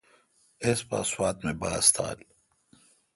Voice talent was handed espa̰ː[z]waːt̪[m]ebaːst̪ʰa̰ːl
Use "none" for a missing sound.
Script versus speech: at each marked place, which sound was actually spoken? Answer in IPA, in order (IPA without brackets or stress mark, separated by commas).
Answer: s, m